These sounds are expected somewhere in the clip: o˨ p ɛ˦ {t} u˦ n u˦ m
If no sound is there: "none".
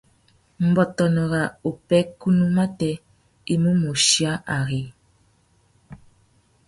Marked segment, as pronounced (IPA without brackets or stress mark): k